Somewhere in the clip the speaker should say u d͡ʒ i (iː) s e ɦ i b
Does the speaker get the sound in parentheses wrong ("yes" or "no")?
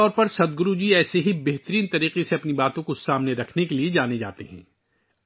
yes